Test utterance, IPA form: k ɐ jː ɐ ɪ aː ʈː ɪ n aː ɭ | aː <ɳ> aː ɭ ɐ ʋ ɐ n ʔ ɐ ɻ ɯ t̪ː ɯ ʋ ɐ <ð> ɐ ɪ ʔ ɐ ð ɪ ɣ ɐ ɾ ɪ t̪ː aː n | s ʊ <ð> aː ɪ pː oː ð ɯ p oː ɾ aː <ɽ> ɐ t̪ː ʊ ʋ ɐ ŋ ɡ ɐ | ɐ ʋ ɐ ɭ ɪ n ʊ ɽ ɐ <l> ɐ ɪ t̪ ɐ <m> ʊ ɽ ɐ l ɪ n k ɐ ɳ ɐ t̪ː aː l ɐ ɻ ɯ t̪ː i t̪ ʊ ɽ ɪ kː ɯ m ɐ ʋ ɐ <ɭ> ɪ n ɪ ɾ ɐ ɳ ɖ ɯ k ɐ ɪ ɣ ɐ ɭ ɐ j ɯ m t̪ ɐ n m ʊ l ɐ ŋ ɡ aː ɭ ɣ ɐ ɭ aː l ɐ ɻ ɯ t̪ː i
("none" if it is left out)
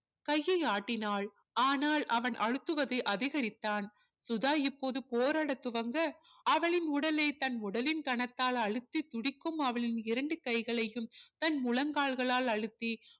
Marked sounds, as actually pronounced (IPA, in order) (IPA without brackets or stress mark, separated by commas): n, ð, ð, ɽ, l, n, ɭ